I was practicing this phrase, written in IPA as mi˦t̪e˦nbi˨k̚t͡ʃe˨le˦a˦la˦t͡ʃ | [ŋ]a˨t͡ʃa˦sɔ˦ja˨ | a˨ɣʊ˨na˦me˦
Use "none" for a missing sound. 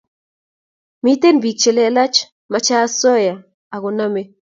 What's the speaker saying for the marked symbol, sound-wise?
m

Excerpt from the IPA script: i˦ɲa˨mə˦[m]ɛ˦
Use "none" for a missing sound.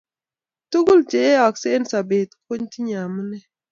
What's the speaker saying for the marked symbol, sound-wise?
n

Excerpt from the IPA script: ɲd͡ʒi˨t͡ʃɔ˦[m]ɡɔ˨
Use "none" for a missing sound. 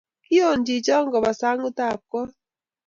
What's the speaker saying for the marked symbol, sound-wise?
ŋ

